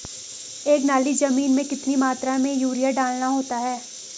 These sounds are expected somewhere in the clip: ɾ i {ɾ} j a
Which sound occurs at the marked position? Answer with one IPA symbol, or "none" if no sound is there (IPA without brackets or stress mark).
none